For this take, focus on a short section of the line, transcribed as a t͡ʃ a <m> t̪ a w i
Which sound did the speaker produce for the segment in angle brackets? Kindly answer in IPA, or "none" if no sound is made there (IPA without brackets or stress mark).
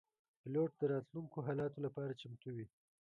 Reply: m